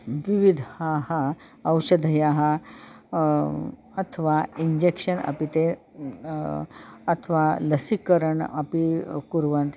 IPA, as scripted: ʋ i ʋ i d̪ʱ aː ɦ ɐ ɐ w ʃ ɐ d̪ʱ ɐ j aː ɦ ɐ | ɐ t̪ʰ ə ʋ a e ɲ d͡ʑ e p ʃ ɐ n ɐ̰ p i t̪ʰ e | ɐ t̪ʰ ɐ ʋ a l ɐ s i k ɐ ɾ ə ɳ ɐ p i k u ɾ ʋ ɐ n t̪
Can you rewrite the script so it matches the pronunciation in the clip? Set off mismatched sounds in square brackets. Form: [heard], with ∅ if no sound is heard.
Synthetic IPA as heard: ʋ i ʋ i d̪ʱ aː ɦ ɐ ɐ w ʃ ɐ d̪ʱ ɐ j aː ɦ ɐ | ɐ t̪ʰ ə ʋ a [i] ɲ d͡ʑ e [k] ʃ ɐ n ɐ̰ p i [t̪] e | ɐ t̪ʰ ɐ ʋ a l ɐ s i k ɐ ɾ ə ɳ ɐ p i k u ɾ ʋ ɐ n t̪